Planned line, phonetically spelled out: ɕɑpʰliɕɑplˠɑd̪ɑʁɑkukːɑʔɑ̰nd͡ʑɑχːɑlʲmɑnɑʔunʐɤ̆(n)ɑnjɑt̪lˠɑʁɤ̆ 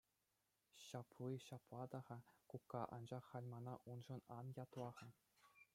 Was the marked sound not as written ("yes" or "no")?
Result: no